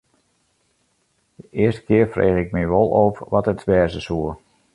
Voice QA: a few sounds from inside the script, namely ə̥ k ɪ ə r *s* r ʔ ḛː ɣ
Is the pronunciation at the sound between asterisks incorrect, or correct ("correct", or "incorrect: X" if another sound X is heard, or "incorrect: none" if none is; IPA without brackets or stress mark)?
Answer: incorrect: f